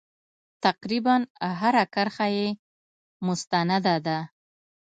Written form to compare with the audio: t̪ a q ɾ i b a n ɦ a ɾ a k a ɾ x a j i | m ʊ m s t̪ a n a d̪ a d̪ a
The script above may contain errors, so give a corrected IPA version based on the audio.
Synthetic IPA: t̪ a q ɾ i b a n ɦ a ɾ a k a ɾ x a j e | m ʊ s t̪ a n a d̪ a d̪ a